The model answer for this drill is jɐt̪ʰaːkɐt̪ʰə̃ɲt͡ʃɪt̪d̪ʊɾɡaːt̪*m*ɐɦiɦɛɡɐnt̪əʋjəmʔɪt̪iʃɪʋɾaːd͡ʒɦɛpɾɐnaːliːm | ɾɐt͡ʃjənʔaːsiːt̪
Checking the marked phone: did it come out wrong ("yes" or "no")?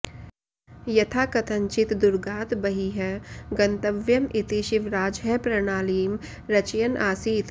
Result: yes